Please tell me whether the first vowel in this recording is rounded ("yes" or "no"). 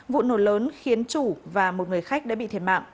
yes